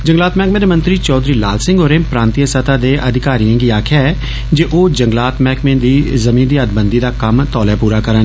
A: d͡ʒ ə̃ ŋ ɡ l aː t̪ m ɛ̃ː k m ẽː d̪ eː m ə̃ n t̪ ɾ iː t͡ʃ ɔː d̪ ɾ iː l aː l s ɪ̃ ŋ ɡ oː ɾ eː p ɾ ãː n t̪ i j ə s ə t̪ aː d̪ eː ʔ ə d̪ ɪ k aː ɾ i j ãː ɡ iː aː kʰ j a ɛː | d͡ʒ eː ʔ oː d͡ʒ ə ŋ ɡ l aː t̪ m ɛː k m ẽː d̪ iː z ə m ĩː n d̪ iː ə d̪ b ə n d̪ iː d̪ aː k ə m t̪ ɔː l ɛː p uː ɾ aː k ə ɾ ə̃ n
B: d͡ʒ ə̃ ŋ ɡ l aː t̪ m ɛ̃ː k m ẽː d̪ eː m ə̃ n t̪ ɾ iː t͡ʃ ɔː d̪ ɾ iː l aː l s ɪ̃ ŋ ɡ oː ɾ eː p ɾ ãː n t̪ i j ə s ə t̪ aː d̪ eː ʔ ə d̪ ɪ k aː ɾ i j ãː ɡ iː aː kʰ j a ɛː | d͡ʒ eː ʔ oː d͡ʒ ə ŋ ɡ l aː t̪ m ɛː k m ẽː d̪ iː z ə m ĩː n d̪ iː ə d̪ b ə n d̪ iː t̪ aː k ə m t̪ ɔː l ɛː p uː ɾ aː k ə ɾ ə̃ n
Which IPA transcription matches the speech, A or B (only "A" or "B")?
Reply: A